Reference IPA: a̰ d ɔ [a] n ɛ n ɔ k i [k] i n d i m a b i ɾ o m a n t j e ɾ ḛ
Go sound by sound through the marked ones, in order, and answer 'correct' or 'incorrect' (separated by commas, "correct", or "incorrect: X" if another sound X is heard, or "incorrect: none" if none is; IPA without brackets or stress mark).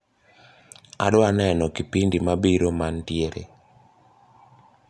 correct, incorrect: p